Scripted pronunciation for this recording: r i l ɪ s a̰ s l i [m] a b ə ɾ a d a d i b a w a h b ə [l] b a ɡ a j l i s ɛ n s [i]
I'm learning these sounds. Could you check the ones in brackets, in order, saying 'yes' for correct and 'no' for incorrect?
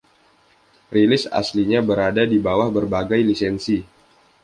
no, no, yes

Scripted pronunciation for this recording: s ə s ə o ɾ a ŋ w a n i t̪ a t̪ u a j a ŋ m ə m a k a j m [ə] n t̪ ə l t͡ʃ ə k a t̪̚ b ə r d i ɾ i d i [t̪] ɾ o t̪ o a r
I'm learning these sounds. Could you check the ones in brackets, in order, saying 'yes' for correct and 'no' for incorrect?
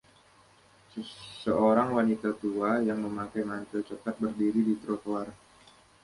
no, yes

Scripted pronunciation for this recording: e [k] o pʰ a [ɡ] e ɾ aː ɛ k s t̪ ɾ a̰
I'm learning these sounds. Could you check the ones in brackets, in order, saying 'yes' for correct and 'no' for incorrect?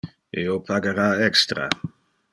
no, yes

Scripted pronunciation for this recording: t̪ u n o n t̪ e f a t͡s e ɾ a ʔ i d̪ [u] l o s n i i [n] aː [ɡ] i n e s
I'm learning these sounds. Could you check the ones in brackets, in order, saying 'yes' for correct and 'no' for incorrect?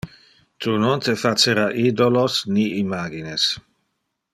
no, no, yes

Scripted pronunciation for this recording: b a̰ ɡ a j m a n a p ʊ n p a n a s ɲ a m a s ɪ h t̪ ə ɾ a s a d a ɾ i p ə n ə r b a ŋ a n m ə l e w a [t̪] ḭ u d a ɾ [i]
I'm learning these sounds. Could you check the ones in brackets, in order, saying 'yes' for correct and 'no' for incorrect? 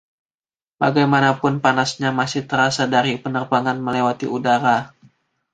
yes, no

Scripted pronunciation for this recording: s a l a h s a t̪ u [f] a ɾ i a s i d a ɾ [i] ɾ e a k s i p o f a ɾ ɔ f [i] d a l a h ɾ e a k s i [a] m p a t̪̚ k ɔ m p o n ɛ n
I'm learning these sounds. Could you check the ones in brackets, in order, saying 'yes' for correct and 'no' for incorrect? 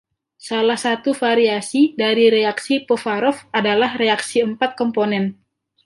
yes, yes, no, no

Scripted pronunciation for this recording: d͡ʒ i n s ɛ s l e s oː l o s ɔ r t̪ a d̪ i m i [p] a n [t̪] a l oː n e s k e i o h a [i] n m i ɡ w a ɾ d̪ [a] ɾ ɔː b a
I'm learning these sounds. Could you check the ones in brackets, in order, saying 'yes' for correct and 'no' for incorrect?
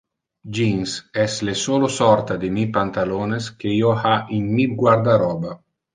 yes, yes, yes, yes

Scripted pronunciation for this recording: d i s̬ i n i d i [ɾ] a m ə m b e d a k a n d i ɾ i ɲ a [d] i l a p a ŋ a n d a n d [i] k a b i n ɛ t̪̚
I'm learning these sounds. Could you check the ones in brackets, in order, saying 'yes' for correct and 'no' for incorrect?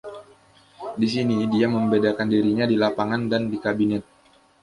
no, yes, yes

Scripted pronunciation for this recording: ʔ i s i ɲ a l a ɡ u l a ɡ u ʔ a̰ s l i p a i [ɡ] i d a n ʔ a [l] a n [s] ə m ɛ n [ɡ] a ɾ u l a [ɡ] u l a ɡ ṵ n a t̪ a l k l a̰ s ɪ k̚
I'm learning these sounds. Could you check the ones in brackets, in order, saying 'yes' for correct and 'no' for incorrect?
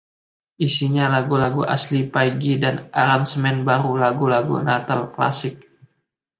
yes, no, yes, no, yes

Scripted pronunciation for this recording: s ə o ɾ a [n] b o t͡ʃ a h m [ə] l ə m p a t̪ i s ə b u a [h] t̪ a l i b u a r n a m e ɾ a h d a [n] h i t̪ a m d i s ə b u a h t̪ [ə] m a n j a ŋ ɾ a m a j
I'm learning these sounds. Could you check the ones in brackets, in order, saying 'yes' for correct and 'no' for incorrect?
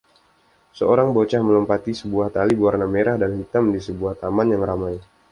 no, yes, yes, yes, no

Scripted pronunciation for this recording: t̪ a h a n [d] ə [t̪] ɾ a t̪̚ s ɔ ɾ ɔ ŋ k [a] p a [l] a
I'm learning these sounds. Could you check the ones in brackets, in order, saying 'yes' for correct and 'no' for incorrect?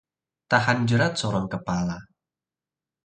no, no, no, yes

